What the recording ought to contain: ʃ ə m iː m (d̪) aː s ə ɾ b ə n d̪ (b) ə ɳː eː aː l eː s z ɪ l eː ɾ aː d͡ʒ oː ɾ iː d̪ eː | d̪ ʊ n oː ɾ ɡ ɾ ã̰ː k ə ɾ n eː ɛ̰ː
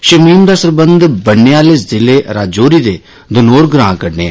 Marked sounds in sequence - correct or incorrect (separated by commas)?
correct, correct